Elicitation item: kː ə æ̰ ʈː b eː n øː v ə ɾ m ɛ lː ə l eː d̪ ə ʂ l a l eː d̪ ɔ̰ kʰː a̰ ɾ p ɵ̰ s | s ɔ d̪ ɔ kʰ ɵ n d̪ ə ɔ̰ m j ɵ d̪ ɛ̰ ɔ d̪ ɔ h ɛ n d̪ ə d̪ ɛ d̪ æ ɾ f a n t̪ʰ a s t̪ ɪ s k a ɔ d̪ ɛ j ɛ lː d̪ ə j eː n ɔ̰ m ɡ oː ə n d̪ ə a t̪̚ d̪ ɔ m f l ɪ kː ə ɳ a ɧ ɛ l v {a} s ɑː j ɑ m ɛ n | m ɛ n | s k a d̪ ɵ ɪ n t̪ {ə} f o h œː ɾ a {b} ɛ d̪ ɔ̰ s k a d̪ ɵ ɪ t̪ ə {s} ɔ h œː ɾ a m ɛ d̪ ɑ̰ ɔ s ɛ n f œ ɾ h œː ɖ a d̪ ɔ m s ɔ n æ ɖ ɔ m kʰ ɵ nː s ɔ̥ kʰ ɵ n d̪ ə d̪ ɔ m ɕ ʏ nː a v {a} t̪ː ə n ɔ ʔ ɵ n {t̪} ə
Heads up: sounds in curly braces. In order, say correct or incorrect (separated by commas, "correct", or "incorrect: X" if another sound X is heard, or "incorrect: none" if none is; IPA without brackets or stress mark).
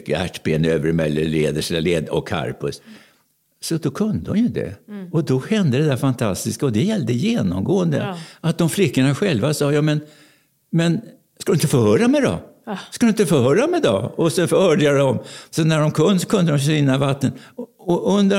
correct, correct, incorrect: m, incorrect: f, correct, incorrect: d̪